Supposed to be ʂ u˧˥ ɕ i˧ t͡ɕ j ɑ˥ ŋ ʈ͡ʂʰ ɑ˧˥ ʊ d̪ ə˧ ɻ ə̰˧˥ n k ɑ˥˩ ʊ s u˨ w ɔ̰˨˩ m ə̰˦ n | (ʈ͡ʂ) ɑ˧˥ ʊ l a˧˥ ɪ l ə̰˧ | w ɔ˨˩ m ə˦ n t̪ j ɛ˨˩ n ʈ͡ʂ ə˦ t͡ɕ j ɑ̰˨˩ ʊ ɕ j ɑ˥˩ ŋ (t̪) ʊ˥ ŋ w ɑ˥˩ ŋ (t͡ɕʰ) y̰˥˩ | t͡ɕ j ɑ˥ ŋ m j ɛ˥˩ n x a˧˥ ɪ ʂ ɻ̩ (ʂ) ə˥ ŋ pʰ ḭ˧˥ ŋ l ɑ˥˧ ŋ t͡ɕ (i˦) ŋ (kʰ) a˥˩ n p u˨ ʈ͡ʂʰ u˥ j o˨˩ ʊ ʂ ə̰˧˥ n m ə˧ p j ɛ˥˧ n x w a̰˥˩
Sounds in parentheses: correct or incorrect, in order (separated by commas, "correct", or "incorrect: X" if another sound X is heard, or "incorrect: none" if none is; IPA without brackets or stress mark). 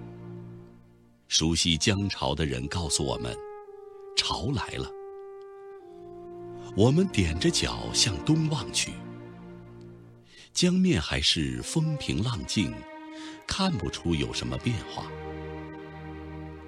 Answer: incorrect: ʈ͡ʂʰ, correct, correct, incorrect: f, incorrect: i˥˩, correct